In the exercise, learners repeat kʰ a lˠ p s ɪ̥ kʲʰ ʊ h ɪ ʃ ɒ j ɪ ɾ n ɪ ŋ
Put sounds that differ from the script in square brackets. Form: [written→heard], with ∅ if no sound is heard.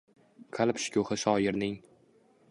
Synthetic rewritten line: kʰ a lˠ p [s→ʃ] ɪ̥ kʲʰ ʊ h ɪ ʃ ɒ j ɪ ɾ n ɪ ŋ